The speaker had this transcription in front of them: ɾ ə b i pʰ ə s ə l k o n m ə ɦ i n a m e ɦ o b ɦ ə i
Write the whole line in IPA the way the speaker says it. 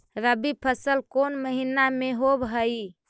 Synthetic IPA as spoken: ɾ ə b i pʰ ə s ə l k o n m ə ɦ i n a m e ɦ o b ɦ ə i